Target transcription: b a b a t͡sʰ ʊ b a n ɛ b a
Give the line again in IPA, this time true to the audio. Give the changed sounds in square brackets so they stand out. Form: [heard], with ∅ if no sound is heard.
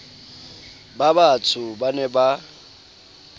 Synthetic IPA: b a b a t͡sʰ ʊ b a n ɛ b a